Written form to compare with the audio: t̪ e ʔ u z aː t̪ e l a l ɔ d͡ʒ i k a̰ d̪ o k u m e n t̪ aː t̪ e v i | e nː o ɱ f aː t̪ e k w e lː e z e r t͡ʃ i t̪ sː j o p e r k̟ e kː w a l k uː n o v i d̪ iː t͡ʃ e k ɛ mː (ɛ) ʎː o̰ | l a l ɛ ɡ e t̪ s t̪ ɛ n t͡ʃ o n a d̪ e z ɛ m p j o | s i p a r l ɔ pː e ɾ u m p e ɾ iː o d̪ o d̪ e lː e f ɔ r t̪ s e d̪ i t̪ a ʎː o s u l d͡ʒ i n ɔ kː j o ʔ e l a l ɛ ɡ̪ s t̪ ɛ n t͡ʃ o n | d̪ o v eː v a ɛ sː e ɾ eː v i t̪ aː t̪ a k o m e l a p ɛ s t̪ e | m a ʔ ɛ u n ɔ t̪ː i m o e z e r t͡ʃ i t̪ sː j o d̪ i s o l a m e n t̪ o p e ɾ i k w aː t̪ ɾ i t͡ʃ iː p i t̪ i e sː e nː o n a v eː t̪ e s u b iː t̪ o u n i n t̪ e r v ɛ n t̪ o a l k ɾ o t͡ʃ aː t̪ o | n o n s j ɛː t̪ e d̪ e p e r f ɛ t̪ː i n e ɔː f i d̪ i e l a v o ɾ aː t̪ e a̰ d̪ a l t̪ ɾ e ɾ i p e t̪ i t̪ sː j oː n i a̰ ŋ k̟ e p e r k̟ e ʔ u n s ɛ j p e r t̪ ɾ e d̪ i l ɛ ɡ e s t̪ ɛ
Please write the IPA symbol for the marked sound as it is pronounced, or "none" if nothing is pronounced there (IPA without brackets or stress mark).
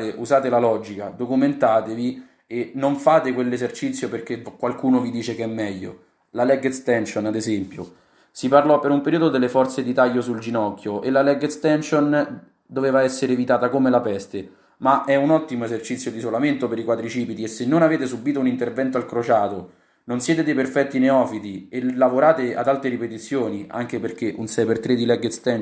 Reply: ɛ